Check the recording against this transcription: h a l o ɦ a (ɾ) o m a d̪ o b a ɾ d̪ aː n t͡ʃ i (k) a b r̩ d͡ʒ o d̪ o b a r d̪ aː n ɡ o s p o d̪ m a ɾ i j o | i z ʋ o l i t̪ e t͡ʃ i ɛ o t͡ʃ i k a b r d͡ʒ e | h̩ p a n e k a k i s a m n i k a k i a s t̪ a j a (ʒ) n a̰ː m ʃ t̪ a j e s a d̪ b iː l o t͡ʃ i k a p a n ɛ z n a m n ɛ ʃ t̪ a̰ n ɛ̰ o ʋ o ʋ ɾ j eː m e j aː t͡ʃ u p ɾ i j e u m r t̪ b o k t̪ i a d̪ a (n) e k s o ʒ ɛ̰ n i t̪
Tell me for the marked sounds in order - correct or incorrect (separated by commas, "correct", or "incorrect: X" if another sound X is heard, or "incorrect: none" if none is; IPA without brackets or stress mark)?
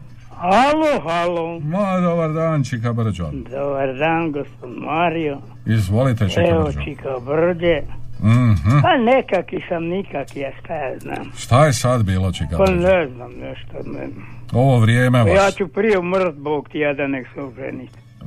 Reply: incorrect: l, correct, incorrect: z, correct